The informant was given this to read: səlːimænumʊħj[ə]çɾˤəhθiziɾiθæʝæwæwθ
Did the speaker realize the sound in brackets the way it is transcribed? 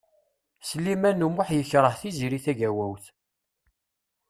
yes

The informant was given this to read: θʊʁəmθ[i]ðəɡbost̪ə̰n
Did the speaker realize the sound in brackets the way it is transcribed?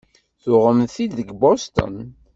yes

